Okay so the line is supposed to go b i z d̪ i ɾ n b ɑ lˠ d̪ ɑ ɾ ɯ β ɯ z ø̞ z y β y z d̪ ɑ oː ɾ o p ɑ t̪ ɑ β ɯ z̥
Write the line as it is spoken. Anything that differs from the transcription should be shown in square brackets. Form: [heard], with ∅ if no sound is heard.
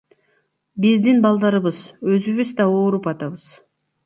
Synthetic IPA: b i z d̪ i [∅] n b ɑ lˠ d̪ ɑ ɾ ɯ β ɯ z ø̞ z y β y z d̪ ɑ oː ɾ [u] p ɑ t̪ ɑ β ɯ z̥